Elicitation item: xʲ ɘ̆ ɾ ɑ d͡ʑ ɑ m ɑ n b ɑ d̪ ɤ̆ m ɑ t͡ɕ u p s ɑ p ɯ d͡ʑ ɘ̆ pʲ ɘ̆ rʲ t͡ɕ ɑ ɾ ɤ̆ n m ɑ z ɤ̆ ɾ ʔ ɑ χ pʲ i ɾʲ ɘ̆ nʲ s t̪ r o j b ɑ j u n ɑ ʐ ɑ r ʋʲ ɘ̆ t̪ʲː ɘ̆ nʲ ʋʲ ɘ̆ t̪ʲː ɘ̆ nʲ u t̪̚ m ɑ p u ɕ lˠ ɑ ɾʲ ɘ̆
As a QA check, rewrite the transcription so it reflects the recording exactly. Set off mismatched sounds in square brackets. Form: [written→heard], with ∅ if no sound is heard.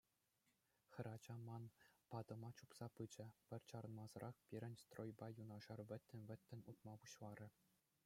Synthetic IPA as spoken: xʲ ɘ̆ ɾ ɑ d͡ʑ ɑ m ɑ n [b→p] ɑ d̪ ɤ̆ m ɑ t͡ɕ u p s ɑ p ɯ d͡ʑ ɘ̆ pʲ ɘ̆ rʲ t͡ɕ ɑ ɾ ɤ̆ n m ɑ z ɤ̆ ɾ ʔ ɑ χ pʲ i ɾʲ ɘ̆ nʲ s t̪ r o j b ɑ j u n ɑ ʐ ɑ r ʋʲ ɘ̆ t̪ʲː ɘ̆ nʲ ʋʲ ɘ̆ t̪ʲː ɘ̆ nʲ u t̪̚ m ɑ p u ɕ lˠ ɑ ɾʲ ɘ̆